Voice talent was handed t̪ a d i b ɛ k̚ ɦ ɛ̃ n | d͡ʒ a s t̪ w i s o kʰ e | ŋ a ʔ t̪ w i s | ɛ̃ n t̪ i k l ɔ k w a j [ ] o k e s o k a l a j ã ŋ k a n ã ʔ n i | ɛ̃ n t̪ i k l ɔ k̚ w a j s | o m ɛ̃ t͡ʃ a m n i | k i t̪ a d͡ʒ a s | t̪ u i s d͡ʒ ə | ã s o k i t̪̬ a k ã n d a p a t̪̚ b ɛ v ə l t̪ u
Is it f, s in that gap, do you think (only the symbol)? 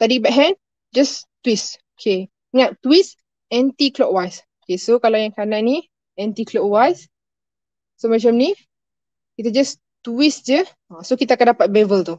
s